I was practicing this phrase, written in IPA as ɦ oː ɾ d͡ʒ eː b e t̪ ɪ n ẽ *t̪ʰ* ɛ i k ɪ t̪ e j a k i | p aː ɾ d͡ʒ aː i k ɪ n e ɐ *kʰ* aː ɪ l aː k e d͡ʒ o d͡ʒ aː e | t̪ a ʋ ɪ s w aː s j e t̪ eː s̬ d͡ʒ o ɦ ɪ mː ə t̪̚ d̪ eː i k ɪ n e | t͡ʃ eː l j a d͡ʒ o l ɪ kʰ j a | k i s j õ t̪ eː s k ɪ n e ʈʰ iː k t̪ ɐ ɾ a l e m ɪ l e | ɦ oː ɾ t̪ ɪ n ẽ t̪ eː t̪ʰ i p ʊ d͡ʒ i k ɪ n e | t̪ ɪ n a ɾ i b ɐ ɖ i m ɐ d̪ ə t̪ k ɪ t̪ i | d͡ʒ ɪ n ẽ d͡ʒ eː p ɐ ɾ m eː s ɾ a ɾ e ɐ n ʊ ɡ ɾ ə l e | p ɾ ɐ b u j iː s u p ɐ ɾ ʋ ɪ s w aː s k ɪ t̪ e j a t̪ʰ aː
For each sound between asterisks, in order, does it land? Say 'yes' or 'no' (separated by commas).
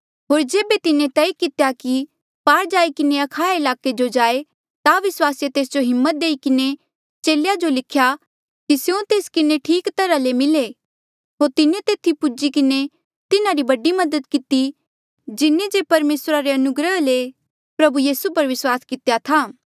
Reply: no, yes